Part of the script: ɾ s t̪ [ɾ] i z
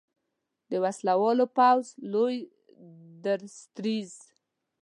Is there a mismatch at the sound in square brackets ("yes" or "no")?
no